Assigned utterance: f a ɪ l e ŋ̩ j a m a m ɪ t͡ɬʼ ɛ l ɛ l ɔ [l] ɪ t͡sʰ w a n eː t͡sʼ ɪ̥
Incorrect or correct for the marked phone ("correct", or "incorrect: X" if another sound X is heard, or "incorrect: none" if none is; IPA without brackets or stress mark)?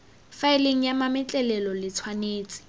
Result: correct